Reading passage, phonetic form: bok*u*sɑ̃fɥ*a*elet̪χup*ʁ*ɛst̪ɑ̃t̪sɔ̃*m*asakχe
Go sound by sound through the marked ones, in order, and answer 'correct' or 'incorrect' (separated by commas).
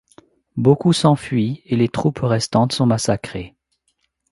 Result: correct, incorrect, correct, correct